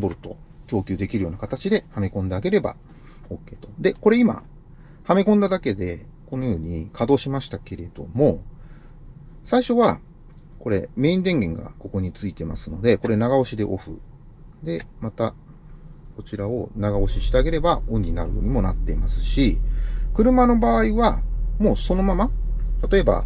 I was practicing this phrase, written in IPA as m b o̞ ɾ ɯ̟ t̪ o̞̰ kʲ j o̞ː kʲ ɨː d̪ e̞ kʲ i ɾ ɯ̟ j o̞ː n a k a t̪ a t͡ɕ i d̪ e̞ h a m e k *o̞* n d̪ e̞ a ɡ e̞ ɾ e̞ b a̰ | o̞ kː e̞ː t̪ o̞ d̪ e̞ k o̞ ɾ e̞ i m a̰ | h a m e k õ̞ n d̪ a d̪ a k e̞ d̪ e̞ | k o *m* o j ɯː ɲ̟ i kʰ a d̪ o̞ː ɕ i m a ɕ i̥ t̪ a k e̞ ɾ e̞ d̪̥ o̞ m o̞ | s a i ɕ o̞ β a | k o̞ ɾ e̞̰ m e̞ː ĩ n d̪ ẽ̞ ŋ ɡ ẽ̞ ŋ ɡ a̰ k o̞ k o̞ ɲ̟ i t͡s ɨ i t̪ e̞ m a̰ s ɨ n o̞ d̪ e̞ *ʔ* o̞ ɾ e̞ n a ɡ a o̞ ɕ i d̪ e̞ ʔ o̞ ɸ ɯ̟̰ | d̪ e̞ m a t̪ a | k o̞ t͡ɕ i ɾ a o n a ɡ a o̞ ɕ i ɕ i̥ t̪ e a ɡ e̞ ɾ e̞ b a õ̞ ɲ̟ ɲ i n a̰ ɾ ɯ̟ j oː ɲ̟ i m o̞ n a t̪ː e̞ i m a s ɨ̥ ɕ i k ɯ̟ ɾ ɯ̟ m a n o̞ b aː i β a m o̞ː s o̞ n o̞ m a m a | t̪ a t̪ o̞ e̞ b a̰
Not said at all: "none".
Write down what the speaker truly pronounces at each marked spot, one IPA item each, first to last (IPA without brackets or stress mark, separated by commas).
õ̞, n, k